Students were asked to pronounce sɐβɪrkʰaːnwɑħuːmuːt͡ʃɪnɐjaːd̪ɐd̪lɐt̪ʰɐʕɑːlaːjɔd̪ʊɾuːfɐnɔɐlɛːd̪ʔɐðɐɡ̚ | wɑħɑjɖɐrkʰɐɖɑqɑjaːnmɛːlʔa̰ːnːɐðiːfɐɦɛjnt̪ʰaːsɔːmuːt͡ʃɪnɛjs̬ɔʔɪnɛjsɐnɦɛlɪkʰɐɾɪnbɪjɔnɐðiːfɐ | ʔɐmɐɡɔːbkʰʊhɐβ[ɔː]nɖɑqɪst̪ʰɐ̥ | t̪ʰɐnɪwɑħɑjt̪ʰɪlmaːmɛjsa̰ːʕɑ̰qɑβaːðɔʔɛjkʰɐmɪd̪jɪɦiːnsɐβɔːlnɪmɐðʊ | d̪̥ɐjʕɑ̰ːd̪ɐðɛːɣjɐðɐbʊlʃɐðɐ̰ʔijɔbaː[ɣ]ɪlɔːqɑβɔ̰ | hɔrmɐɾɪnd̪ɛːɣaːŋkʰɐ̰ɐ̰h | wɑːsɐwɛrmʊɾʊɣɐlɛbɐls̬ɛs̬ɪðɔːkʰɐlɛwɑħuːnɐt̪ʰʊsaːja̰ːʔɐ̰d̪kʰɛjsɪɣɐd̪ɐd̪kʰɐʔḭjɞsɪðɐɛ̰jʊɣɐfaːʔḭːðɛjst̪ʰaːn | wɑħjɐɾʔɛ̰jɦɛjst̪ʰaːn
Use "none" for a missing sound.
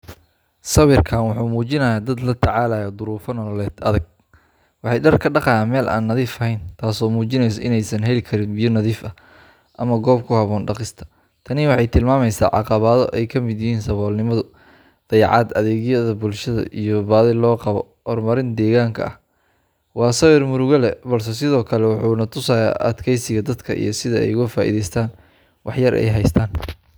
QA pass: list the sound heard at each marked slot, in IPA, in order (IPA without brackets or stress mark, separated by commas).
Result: ɔː, ð